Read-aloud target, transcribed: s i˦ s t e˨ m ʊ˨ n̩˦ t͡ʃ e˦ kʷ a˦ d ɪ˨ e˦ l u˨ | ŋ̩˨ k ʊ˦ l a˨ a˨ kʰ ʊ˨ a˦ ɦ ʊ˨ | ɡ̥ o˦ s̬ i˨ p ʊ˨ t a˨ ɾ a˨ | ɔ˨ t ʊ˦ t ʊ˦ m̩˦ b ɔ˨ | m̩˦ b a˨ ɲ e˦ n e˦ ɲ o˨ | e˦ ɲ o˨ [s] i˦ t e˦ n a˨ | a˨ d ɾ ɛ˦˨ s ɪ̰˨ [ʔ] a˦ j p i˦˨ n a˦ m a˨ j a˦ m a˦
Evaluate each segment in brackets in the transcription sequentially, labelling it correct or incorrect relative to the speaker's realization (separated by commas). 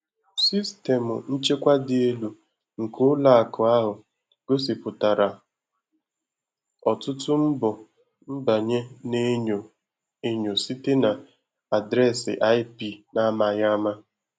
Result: correct, correct